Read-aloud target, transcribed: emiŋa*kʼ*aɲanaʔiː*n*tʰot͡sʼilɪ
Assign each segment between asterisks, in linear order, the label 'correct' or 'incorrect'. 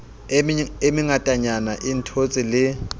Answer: incorrect: tʼ, correct

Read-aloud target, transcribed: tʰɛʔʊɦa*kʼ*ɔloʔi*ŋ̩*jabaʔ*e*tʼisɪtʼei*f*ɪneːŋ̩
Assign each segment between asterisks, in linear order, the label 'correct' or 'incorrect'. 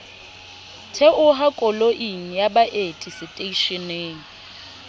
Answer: correct, correct, correct, incorrect: ʃ

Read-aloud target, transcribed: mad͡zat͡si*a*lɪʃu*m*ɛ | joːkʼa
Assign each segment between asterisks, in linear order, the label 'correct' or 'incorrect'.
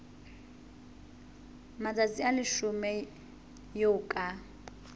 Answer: correct, correct

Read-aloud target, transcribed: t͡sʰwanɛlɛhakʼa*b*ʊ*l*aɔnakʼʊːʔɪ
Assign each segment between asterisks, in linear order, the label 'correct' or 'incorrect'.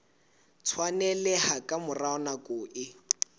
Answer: incorrect: m, incorrect: r

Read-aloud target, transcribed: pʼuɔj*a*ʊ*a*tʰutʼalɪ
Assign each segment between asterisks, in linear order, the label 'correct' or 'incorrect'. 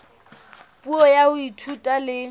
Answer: correct, incorrect: i

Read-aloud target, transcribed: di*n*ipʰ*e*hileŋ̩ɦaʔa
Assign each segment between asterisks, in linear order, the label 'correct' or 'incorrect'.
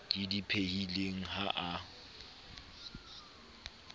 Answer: incorrect: d, correct

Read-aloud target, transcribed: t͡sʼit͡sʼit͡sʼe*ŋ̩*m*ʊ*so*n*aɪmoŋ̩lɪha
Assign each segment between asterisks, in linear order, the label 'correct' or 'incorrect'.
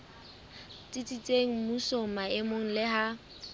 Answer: correct, incorrect: u, incorrect: m

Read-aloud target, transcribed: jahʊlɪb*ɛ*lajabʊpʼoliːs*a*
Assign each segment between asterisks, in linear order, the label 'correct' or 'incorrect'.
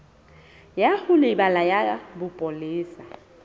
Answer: incorrect: a, correct

